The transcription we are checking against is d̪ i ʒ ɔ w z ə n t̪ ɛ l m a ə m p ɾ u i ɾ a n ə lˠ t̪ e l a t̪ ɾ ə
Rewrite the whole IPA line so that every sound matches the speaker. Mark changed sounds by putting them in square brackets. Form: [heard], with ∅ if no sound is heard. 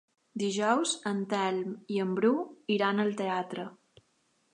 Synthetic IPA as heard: d̪ i ʒ ɔ w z ə n t̪ ɛ l m [i] ə m [b] ɾ u i ɾ a n ə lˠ t̪ e [∅] a t̪ ɾ ə